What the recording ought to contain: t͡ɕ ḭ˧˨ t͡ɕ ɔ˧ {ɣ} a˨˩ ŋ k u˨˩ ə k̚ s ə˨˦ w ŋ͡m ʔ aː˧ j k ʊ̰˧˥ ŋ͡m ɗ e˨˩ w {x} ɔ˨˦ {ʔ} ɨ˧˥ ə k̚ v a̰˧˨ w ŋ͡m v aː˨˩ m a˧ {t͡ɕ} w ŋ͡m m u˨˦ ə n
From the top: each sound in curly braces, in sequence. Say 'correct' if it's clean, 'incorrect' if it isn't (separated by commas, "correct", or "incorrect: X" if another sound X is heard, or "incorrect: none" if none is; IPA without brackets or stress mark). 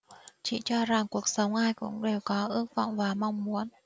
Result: incorrect: z, incorrect: k, correct, incorrect: none